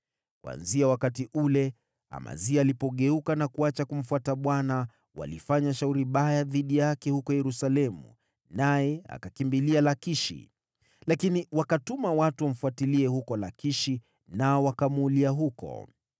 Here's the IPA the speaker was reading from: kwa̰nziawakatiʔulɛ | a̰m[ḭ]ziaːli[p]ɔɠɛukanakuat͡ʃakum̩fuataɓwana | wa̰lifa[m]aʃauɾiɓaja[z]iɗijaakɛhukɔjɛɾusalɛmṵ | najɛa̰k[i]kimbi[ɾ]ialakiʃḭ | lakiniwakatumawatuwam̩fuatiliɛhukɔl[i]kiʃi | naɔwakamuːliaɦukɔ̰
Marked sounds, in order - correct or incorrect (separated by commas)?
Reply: incorrect, correct, incorrect, incorrect, incorrect, incorrect, incorrect